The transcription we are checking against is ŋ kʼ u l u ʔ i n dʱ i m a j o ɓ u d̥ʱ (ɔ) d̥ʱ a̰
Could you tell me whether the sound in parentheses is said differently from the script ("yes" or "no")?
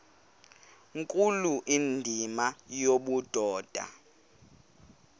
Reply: yes